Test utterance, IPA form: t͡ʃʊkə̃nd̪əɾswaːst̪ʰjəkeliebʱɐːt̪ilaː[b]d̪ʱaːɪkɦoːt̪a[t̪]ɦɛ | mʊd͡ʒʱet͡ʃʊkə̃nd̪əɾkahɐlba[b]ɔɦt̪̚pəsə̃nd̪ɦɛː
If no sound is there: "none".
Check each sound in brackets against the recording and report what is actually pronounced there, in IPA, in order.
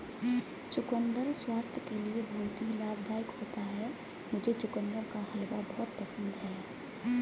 b, none, b

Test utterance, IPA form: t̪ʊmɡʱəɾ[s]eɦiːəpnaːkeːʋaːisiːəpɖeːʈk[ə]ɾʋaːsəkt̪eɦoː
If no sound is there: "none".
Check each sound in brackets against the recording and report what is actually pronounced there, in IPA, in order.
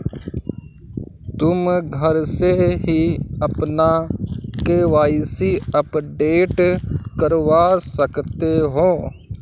s, ə

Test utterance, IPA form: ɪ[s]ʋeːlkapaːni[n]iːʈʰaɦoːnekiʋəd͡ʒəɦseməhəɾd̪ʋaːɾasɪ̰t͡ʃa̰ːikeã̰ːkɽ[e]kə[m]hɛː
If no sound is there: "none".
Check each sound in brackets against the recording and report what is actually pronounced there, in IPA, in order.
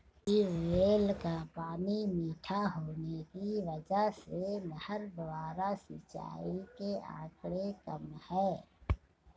none, m, e, m

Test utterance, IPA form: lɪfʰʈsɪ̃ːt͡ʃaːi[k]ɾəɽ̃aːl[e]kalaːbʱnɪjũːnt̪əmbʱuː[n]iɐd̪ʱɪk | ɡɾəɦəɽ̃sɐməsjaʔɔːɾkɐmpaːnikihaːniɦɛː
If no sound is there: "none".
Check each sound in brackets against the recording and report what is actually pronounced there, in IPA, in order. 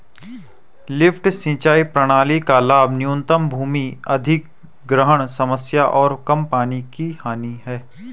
p, i, m

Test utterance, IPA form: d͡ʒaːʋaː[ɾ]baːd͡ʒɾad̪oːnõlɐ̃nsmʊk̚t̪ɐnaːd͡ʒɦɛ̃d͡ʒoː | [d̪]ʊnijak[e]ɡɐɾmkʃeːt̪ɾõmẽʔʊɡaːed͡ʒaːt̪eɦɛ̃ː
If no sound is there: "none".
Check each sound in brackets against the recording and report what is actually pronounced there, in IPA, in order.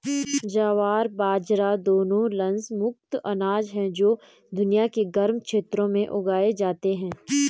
ɾ, d̪, e

